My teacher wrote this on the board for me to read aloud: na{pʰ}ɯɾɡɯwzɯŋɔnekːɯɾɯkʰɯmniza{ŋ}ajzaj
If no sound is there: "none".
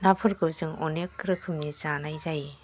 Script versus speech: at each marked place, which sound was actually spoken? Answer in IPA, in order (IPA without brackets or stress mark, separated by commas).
pʰ, n